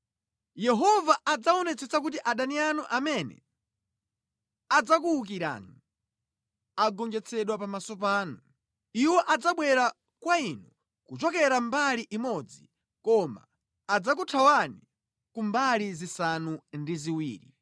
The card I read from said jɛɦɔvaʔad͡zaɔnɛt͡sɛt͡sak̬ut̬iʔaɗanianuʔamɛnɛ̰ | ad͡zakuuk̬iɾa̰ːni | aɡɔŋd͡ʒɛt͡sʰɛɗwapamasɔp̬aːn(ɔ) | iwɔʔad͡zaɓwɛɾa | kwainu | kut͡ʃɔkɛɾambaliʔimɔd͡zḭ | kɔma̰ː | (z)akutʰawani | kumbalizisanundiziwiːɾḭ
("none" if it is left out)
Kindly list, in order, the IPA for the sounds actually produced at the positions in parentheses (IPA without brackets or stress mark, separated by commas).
u, d͡z